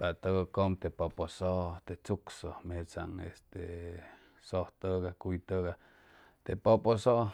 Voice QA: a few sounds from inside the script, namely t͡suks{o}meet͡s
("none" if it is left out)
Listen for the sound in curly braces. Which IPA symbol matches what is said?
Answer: o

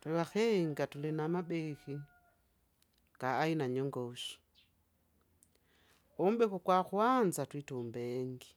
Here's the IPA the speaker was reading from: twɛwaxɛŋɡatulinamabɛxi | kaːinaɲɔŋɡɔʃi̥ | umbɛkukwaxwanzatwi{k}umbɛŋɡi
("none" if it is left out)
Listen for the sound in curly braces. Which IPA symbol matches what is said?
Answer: t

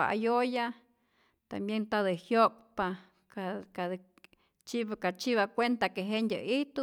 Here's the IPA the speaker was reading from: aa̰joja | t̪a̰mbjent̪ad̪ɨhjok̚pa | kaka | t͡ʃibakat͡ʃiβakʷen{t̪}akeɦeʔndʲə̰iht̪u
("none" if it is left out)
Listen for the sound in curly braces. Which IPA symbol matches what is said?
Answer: t̪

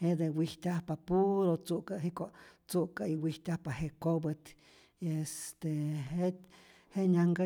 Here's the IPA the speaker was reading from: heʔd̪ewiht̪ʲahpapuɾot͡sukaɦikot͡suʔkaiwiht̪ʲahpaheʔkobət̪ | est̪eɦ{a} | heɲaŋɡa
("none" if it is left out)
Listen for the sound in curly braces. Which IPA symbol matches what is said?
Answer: e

